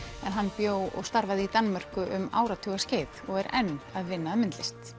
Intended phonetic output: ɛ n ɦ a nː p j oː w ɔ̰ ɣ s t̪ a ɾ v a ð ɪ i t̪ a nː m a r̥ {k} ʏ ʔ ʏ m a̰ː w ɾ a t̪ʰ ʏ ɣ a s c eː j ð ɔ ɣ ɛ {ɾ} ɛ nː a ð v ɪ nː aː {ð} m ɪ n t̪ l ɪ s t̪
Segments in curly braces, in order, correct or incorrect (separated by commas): correct, correct, correct